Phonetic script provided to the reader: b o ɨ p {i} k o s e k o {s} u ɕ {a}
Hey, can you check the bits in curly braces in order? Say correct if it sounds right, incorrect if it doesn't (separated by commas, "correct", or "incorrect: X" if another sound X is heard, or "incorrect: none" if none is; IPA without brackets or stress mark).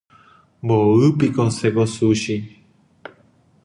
correct, correct, incorrect: i